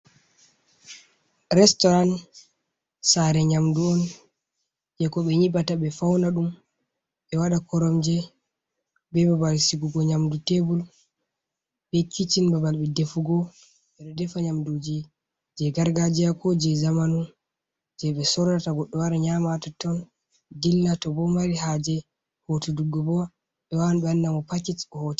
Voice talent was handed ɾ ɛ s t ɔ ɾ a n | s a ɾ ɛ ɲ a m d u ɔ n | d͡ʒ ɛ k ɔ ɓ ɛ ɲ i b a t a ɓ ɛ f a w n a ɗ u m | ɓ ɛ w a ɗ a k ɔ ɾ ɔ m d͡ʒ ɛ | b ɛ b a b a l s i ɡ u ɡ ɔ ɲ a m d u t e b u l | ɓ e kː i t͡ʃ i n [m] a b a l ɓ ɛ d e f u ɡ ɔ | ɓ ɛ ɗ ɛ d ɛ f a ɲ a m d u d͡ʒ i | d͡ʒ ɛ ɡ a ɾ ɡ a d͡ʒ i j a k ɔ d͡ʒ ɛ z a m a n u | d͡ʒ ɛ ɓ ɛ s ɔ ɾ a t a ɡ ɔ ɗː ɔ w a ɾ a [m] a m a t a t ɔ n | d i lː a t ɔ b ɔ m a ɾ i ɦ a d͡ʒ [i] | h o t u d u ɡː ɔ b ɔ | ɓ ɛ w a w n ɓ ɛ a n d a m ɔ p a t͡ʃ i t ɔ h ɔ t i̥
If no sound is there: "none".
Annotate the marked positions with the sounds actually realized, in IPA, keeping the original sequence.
b, ɲ, ɛ

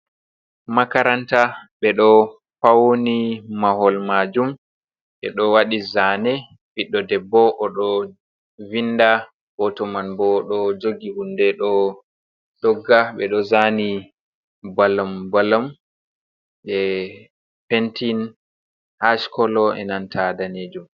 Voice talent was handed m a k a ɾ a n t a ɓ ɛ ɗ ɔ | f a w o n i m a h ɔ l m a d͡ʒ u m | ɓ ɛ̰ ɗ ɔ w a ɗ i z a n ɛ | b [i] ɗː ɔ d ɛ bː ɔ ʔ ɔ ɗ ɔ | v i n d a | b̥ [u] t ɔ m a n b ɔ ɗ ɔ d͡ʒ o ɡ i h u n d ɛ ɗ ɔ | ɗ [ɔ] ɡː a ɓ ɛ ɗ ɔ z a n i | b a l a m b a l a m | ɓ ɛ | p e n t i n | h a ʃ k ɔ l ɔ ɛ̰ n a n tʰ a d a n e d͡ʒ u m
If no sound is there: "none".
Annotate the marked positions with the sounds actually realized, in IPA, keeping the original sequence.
i, ɔ, ɔ

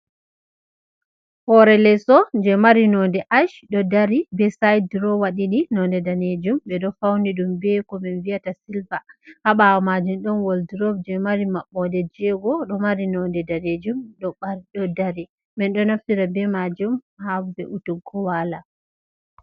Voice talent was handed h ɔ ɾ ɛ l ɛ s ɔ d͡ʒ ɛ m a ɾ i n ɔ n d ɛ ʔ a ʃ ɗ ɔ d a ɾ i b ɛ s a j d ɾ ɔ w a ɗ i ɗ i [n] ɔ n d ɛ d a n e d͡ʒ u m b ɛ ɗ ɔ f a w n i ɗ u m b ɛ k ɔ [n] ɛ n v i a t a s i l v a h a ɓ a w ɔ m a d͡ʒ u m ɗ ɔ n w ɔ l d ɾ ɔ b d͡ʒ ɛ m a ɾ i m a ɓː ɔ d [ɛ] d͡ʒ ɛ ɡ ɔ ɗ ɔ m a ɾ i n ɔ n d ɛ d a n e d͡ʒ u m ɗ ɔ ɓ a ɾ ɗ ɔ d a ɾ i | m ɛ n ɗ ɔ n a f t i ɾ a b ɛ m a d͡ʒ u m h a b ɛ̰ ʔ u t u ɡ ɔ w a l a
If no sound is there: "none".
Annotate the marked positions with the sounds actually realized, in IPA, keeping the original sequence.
n, m, ɛ

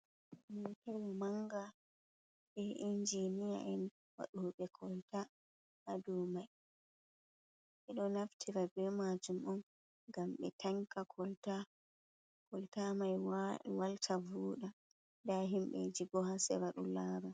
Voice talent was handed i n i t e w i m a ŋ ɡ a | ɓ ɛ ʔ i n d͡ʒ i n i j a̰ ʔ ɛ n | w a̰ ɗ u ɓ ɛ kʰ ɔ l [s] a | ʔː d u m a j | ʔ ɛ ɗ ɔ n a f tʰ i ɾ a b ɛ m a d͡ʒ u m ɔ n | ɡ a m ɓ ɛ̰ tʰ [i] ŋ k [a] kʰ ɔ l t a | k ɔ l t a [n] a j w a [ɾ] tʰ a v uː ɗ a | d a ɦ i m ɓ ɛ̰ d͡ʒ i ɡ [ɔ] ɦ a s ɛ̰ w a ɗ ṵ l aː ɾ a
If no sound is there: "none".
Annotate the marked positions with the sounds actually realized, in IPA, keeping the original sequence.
t, a, a, m, l, ɔ

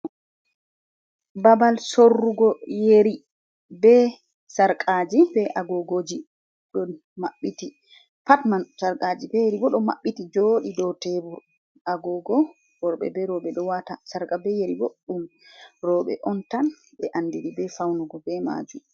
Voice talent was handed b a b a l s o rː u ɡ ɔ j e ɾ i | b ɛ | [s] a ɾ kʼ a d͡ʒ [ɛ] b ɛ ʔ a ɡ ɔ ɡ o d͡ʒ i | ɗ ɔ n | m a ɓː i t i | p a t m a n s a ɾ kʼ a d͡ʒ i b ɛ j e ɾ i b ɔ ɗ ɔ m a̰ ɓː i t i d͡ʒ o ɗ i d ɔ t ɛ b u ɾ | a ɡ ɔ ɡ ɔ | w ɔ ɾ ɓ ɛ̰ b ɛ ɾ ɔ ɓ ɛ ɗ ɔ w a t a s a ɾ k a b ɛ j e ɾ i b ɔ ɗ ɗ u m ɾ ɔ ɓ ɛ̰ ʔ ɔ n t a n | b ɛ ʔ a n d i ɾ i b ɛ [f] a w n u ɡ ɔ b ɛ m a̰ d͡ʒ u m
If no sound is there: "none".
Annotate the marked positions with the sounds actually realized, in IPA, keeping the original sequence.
s, i, f

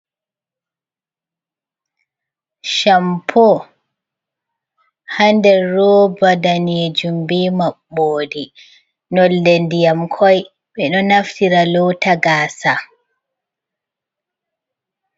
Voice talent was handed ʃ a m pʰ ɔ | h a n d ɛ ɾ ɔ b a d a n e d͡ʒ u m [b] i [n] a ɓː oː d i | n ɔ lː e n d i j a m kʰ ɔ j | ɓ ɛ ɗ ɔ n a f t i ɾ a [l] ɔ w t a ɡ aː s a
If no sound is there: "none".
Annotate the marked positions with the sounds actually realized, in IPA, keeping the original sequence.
b, m, l

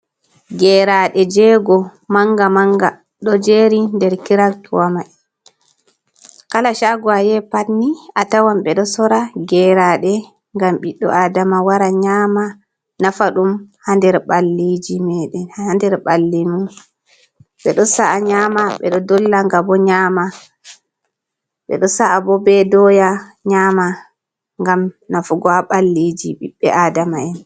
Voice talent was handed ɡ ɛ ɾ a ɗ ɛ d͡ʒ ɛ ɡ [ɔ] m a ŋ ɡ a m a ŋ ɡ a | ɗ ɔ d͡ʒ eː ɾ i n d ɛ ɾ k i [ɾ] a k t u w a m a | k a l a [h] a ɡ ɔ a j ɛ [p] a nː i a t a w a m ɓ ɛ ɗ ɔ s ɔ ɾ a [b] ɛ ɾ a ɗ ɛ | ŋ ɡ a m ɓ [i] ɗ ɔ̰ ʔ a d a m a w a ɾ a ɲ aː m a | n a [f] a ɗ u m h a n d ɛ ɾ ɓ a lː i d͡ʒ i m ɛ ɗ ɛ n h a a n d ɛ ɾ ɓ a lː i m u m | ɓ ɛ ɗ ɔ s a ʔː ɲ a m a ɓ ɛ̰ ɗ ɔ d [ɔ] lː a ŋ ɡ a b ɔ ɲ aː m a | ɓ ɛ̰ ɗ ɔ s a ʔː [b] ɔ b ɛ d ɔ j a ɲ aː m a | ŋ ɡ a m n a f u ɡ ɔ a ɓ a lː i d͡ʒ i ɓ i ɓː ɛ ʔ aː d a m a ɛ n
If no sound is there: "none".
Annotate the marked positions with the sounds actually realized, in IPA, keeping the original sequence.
ɔ, ɾ, ʃ, p, ɡ, i, f, ɔ, b

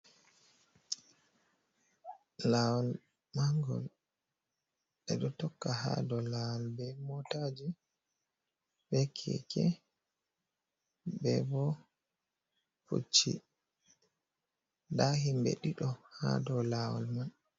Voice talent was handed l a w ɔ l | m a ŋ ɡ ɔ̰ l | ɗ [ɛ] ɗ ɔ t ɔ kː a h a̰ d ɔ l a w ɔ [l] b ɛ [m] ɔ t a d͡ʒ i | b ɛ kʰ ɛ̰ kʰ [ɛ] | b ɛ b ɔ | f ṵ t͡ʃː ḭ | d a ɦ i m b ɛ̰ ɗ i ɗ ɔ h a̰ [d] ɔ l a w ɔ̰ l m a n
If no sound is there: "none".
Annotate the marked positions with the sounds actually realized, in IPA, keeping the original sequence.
ɛ, l, m, ɛ, d

